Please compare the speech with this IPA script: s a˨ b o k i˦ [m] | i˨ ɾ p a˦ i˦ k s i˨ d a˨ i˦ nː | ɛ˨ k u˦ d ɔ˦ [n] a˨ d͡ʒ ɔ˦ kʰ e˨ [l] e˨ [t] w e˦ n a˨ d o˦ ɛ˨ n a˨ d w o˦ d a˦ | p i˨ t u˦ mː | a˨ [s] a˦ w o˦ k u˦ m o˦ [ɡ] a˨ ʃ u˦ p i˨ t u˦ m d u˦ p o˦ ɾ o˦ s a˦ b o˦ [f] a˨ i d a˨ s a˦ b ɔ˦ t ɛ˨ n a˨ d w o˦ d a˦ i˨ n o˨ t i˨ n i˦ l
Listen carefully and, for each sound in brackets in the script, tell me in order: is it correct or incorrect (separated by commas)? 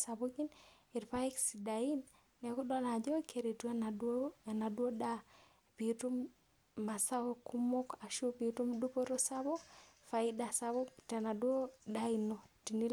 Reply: incorrect, correct, incorrect, correct, correct, incorrect, correct